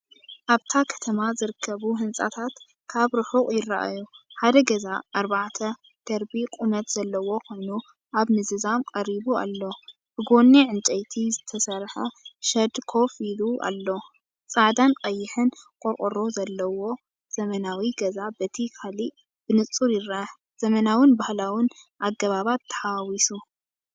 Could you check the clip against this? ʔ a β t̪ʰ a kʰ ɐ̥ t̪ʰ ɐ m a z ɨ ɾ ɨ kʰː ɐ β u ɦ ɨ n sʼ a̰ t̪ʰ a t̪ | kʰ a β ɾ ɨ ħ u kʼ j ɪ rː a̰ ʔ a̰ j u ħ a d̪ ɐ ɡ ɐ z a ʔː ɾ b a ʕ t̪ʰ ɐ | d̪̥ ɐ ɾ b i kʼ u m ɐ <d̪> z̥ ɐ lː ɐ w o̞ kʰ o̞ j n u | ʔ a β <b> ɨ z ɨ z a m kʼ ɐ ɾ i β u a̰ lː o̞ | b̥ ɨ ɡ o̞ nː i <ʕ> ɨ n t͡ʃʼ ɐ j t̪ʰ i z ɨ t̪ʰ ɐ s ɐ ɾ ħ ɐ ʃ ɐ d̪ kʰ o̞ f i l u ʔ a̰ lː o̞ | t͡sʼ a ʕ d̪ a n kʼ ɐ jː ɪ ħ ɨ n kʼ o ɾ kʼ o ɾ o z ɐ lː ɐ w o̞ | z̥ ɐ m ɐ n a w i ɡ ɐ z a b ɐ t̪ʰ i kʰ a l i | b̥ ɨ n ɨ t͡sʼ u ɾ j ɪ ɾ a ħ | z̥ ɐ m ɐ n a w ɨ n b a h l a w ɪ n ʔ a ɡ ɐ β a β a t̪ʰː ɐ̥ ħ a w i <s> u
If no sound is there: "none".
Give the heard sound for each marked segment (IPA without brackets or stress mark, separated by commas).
t̪, m, ʕ, s